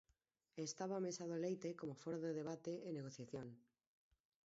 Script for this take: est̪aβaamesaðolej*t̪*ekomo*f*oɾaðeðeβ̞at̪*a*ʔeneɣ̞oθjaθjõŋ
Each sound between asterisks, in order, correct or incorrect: correct, correct, incorrect: e

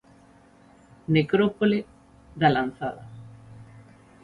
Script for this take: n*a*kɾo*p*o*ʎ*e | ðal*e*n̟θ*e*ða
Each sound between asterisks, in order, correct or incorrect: incorrect: e, correct, incorrect: l, incorrect: a, incorrect: a

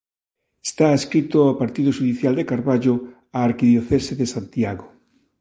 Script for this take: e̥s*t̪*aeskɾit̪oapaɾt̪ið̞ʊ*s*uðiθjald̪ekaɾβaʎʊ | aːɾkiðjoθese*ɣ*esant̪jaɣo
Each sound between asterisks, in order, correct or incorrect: correct, incorrect: ʃ, incorrect: ð

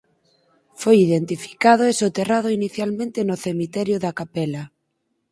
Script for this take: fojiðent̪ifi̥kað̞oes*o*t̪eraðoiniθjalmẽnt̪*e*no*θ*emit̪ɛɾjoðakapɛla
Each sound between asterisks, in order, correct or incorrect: correct, correct, correct

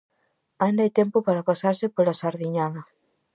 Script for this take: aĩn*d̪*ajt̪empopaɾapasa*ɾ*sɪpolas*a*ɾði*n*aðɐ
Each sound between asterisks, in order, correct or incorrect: correct, correct, correct, incorrect: ɲ

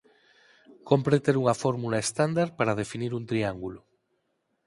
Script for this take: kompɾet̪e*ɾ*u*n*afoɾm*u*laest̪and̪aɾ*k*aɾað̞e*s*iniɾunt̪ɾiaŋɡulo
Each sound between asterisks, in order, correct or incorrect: correct, incorrect: ŋ, correct, incorrect: p, incorrect: f

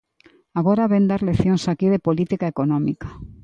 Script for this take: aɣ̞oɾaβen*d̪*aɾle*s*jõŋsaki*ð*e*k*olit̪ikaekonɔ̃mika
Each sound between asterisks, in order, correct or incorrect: correct, incorrect: θ, correct, incorrect: p

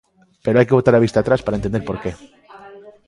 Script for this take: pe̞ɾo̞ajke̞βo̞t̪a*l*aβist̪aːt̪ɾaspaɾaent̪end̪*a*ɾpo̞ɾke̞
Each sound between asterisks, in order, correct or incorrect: incorrect: ɾ, incorrect: e

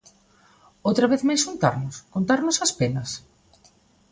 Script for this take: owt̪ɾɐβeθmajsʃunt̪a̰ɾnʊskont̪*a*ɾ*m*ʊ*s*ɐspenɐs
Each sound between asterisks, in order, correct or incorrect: correct, incorrect: n, correct

